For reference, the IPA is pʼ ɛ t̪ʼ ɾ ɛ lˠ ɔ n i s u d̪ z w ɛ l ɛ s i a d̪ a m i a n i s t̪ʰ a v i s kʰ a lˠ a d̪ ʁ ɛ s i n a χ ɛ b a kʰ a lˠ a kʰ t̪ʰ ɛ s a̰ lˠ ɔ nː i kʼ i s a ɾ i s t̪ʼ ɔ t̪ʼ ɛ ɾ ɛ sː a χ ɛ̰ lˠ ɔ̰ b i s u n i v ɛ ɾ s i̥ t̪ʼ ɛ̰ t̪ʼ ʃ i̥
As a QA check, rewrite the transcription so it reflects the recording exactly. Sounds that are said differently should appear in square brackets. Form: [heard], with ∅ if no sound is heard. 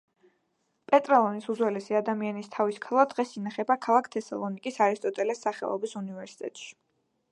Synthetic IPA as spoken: pʼ ɛ t̪ʼ ɾ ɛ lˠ ɔ n i s u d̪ z w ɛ l ɛ s i a d̪ a m i a n i s t̪ʰ a v i s kʰ a lˠ a d̪ ʁ ɛ s i n a χ ɛ b a kʰ a lˠ a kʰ t̪ʰ ɛ s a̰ lˠ ɔ [n] i kʼ i s a ɾ i s t̪ʼ ɔ t̪ʼ ɛ [l] ɛ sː a χ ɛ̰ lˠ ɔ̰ b i s u n i v ɛ ɾ s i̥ t̪ʼ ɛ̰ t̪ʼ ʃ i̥